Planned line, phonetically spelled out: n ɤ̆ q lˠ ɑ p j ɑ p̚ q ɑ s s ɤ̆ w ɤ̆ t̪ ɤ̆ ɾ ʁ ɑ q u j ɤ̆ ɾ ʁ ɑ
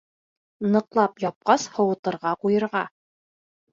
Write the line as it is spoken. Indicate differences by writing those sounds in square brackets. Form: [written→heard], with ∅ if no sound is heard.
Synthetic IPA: n ɤ̆ q lˠ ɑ p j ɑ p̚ q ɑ s [s→h] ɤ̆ w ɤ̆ t̪ ɤ̆ ɾ ʁ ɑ q u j ɤ̆ ɾ ʁ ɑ